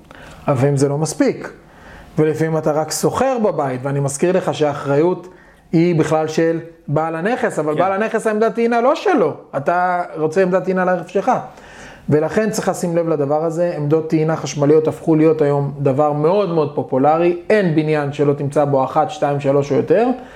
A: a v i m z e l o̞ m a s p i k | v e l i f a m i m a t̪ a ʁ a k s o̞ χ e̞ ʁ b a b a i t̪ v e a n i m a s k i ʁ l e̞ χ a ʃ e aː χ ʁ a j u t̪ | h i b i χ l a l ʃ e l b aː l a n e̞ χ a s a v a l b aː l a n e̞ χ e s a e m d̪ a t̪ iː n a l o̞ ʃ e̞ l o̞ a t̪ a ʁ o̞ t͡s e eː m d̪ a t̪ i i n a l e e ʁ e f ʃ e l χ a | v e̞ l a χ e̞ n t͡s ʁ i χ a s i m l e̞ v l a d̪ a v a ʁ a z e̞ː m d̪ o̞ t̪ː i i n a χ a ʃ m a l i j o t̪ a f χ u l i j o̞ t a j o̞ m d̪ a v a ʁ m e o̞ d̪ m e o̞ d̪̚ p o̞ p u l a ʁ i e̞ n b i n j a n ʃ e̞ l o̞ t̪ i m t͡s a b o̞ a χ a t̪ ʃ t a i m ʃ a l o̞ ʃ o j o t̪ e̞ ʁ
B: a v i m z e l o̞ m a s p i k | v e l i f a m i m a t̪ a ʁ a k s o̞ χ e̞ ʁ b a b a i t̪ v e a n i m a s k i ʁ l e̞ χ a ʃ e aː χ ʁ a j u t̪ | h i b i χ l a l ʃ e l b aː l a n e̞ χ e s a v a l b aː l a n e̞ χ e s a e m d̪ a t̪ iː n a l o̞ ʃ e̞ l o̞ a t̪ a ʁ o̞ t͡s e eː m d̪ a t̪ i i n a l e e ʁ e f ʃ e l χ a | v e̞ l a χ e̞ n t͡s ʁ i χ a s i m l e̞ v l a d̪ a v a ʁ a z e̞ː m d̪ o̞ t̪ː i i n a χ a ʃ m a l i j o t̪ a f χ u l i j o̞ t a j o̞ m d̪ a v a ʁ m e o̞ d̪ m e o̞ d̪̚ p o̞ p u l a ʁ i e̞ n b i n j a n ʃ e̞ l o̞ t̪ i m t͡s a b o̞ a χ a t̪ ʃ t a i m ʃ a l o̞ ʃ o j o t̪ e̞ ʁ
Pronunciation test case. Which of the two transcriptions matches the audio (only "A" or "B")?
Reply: B